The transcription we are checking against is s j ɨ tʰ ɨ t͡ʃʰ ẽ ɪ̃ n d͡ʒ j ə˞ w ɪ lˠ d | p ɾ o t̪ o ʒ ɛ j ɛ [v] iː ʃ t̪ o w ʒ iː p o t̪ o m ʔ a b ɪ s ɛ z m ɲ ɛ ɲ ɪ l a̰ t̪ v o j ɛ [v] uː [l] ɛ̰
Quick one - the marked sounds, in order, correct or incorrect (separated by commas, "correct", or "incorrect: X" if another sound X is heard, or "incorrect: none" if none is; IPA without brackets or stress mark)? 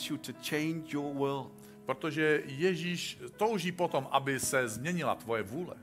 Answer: incorrect: ʒ, correct, correct